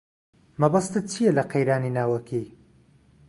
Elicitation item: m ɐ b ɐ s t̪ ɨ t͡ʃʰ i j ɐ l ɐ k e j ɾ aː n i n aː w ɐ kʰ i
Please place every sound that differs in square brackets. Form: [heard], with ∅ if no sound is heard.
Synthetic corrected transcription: m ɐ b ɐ s t̪ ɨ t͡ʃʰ i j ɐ l ɐ [q] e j ɾ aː n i n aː w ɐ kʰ i